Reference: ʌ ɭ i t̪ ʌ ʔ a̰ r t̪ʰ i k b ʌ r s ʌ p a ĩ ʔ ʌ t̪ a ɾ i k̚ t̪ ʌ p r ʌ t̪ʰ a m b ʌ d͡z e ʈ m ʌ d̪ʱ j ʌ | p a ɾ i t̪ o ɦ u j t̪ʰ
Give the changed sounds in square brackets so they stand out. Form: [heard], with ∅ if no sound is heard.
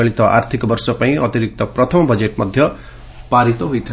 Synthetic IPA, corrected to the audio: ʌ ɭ i t̪ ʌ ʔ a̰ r t̪ʰ i k b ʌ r s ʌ p a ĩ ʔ ʌ t̪ [i] ɾ i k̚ t̪ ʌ p r ʌ t̪ʰ [ʌ] m b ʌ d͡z e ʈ m ʌ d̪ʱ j ʌ | p a ɾ i t̪ o ɦ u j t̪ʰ